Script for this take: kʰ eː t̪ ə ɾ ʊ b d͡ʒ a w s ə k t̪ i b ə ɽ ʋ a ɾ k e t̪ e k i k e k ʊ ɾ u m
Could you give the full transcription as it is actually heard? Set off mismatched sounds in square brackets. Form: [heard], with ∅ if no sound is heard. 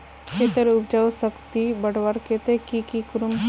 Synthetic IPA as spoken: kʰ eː t̪ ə ɾ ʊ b d͡ʒ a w s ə k t̪ i b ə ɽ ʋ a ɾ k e t̪ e k i k [i] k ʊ ɾ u m